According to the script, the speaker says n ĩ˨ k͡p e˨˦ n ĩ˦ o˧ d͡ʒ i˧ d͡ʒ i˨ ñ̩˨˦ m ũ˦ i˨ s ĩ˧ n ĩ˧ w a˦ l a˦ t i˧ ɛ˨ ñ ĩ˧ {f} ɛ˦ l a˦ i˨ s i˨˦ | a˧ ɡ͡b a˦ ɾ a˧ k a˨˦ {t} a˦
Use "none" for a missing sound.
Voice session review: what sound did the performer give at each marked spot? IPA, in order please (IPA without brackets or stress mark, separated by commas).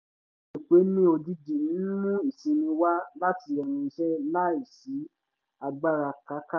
ʃ, k